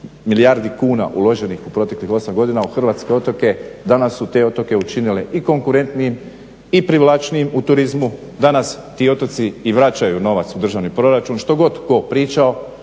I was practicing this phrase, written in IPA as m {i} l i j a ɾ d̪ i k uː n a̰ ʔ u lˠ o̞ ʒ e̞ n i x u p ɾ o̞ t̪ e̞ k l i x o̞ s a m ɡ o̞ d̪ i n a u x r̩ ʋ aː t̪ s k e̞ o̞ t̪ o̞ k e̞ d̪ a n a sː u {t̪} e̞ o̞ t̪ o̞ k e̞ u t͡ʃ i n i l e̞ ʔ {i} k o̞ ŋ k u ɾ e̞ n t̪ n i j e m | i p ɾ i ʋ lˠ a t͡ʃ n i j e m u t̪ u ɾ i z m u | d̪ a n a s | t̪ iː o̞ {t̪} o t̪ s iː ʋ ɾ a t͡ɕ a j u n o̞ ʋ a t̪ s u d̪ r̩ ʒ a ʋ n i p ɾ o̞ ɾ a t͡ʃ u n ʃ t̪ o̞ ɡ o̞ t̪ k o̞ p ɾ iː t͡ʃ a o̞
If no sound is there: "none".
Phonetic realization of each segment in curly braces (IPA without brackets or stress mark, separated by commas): i, t̪, i, t̪